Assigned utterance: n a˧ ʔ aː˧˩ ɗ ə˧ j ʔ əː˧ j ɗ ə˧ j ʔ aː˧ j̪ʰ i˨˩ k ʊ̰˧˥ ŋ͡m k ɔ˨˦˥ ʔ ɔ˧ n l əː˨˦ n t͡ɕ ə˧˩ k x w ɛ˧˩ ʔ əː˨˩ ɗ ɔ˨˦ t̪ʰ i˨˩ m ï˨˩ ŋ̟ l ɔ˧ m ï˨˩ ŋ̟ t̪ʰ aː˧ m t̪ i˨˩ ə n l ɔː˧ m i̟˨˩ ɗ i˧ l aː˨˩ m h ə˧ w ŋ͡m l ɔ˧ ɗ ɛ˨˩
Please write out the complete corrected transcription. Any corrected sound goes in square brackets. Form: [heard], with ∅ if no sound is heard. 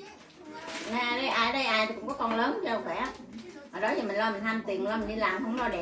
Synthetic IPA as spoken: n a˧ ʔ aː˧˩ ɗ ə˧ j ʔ [aː˧] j ɗ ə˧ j ʔ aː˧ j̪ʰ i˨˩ k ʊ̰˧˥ ŋ͡m k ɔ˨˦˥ [k] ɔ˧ n l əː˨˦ n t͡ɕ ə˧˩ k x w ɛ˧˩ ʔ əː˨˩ ɗ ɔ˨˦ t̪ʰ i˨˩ m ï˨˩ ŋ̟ l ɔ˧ m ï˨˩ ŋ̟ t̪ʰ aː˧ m t̪ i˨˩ ə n l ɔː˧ m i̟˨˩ ɗ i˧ l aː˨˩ m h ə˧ w ŋ͡m l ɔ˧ ɗ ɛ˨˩